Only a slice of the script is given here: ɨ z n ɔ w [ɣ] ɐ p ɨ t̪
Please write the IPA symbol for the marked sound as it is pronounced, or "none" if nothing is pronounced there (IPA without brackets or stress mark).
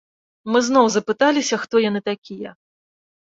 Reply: z